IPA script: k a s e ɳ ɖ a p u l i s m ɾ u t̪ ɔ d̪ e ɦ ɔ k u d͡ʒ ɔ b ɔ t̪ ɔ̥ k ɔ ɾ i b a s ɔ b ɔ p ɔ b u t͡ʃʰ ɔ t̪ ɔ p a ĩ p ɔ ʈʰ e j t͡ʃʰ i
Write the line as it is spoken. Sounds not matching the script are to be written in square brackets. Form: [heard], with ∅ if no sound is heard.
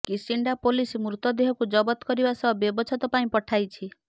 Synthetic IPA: k [i] s [i] ɳ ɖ a p [o] l i s m ɾ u t̪ ɔ d̪ e ɦ ɔ k u d͡ʒ ɔ b ɔ t̪ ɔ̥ k ɔ ɾ i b a s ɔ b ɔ [b] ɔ b [ɔ] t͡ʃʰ ɔ t̪ ɔ p a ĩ p ɔ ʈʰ [a] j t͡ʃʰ i